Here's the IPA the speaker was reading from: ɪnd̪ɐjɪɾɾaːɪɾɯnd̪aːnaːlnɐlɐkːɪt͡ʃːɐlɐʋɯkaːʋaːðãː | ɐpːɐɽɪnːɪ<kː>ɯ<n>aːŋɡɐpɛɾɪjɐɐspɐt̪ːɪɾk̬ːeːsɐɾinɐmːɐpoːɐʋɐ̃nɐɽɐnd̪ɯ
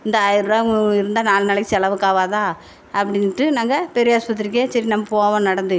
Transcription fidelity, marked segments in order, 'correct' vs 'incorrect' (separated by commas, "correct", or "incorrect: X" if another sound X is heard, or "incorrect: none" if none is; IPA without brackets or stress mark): incorrect: ʈː, correct